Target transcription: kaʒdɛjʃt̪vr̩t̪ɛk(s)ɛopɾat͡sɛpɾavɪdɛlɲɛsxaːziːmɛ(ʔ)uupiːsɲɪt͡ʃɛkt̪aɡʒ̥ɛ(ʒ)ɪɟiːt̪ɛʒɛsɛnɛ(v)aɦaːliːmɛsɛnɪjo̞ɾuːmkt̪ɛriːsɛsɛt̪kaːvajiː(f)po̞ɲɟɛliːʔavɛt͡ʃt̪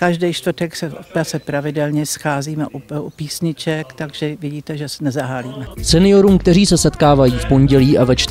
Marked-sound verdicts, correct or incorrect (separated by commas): correct, correct, incorrect, incorrect, correct